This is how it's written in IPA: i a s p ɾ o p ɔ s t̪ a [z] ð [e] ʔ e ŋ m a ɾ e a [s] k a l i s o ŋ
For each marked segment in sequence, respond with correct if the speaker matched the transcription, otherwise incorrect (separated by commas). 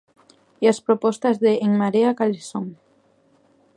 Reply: correct, correct, incorrect